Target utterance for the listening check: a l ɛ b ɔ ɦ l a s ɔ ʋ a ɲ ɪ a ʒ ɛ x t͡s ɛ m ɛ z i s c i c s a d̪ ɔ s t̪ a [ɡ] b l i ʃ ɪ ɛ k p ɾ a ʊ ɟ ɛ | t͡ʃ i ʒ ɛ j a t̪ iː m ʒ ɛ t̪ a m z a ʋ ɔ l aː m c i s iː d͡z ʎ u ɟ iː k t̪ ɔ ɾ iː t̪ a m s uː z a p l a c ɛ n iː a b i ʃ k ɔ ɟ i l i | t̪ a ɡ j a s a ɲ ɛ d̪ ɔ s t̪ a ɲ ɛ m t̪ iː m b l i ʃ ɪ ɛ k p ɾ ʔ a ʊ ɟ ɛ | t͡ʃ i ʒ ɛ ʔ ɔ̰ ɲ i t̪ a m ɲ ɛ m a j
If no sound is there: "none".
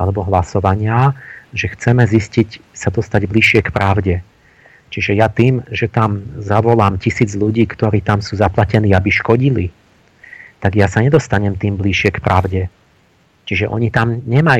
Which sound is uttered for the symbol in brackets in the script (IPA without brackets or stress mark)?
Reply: ɟ